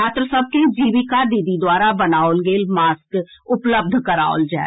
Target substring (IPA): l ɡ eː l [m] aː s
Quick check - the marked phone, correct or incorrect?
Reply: correct